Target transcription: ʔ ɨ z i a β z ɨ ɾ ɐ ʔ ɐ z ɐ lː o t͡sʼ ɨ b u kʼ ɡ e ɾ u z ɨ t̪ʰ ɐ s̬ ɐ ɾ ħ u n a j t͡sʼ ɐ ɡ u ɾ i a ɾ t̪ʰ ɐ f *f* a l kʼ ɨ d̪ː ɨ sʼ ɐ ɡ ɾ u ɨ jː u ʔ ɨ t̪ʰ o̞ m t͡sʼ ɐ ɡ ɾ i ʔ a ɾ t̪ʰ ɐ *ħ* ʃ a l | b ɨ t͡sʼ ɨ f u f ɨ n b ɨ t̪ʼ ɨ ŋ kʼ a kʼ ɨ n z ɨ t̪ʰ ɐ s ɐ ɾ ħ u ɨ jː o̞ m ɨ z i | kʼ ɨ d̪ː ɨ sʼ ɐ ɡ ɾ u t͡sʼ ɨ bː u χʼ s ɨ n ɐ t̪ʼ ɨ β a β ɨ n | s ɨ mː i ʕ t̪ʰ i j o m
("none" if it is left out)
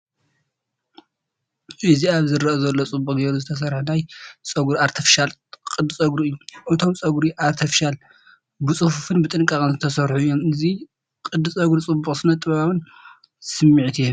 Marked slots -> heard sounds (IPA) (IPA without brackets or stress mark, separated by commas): ʃ, f